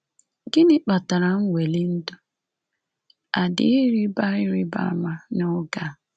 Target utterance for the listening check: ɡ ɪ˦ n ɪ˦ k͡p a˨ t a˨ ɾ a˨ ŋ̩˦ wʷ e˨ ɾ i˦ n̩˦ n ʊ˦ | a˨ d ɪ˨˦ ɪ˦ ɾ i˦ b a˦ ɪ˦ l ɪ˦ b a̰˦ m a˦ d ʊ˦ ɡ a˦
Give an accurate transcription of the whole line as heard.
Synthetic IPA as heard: ɡ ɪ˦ n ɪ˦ k͡p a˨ t a˨ ɾ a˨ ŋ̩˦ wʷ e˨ l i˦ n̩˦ d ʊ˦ | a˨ d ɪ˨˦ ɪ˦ ɾ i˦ b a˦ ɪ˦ ɾ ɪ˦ b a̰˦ m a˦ n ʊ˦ ɡ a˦